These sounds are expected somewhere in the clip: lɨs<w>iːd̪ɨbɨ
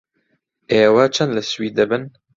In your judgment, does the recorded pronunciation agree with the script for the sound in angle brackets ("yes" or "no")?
yes